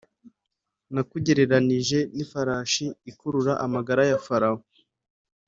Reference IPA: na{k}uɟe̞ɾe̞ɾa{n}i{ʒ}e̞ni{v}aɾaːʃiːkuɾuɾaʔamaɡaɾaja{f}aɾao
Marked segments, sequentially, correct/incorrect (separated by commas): correct, correct, correct, incorrect, correct